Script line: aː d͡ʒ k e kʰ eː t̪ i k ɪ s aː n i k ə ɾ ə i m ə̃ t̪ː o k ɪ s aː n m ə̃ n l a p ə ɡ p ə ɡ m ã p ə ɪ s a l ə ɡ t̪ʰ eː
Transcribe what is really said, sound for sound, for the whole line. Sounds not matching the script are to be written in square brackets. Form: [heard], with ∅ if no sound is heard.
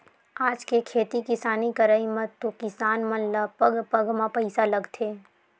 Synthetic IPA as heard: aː d͡ʒ k e kʰ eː t̪ i k ɪ s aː n i k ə ɾ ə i m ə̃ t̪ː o k ɪ s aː n m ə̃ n l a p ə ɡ p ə ɡ m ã p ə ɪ s a l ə ɡ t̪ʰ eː